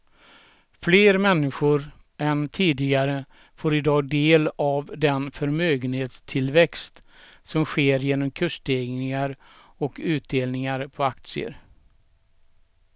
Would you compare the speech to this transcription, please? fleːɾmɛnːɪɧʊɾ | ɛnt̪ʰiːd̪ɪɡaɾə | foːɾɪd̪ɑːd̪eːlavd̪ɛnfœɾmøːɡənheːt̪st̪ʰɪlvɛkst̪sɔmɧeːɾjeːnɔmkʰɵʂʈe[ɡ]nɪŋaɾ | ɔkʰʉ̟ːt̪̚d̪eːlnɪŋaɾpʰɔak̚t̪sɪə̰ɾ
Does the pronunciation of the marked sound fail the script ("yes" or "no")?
no